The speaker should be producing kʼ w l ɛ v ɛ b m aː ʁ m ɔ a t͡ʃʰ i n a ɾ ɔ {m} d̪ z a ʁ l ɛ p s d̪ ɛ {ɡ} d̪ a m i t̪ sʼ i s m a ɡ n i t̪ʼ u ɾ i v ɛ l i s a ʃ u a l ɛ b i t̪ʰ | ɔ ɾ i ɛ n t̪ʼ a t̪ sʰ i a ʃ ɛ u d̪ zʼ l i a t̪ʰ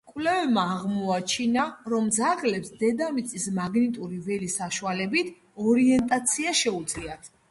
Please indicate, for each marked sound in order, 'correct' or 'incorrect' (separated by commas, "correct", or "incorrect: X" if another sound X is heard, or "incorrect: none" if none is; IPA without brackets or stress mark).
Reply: correct, incorrect: none